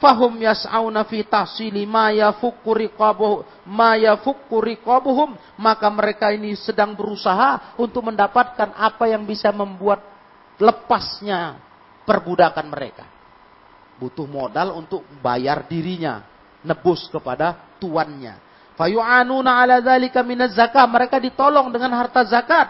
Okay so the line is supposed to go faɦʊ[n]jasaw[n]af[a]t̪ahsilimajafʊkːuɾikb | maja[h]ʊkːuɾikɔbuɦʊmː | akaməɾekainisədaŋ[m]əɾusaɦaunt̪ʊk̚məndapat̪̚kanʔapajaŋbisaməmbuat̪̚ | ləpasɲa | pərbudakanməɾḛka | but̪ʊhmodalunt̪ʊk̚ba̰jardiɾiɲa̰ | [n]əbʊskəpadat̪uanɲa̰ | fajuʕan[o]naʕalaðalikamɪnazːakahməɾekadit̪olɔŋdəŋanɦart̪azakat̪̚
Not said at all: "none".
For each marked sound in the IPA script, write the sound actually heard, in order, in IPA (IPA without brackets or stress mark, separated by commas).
m, n, i, f, b, n, u